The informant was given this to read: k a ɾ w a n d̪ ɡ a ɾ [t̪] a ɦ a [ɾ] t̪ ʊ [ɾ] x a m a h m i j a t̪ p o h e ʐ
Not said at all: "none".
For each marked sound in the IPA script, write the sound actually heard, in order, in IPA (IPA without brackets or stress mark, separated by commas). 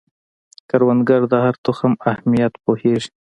d̪, ɾ, none